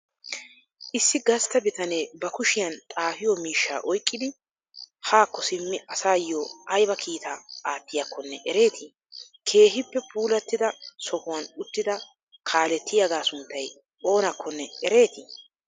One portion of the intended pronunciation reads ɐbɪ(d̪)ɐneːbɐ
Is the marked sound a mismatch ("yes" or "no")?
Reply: yes